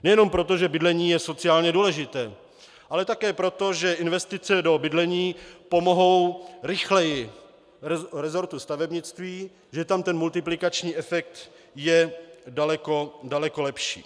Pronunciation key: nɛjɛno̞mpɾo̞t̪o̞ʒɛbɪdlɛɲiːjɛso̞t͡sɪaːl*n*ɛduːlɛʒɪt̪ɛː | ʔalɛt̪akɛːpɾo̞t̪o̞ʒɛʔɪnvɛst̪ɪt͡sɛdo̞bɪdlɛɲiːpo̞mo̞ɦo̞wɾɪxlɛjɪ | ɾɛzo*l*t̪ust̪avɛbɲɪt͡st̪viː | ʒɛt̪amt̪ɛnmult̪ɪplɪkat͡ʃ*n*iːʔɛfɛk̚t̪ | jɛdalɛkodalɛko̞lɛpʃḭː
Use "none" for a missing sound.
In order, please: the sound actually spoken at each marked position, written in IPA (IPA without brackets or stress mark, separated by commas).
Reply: ɲ, ɾ, ɲ